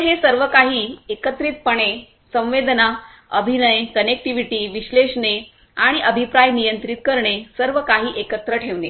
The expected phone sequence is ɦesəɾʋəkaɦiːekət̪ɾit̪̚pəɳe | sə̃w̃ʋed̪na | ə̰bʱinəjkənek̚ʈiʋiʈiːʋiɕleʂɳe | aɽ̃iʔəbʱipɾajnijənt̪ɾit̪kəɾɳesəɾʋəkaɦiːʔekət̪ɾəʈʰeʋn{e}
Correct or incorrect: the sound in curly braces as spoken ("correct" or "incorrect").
correct